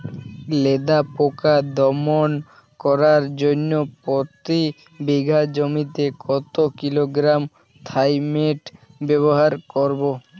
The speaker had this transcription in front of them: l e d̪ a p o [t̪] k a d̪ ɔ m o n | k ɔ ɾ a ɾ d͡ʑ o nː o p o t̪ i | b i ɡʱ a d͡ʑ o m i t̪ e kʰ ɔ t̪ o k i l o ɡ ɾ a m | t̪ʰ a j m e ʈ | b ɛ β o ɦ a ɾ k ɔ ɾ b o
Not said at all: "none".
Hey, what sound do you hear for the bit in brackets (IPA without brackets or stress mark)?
none